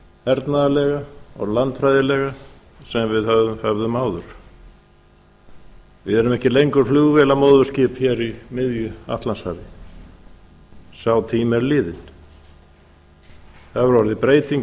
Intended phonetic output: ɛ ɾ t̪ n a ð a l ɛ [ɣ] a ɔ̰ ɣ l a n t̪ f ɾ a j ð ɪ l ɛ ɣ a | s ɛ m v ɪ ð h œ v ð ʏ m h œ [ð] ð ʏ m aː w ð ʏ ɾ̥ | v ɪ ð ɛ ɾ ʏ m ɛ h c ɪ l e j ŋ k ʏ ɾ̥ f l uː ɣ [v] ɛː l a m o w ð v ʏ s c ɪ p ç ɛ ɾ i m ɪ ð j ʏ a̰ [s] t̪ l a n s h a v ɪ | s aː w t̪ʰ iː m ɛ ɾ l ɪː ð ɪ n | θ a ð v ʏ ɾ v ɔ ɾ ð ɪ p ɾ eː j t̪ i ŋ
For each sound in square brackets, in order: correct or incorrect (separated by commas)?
correct, incorrect, correct, incorrect